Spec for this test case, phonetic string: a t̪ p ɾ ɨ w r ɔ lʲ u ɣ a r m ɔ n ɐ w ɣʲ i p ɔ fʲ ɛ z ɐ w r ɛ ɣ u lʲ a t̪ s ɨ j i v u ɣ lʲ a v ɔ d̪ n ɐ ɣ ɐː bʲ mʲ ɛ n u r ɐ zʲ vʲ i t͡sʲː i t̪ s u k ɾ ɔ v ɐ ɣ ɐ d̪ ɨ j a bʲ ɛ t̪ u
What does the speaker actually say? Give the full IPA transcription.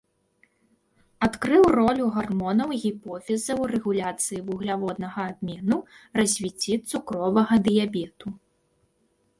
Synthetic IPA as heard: a t̪ k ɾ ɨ w r ɔ lʲ u ɣ a r m ɔ n ɐ w ɣʲ i p ɔ fʲ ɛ z ɐ w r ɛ ɣ u lʲ a t̪ s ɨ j i v u ɣ lʲ a v ɔ d̪ n ɐ ɣ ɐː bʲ mʲ ɛ n u r ɐ zʲ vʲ i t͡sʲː i t̪ s u k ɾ ɔ v ɐ ɣ ɐ d̪ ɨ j a bʲ ɛ t̪ u